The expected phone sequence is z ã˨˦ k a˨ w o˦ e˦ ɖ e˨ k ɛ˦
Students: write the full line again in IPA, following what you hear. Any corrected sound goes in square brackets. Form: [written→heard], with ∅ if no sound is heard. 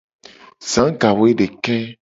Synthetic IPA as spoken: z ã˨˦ [k→ɡ] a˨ w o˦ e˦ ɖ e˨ k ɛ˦